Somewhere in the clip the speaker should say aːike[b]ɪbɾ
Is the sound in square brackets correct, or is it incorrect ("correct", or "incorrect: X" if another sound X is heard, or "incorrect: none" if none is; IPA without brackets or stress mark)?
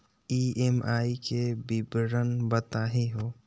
correct